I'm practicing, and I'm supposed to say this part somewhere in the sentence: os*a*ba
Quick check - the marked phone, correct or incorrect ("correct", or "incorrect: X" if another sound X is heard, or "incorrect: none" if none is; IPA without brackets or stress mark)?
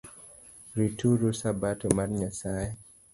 correct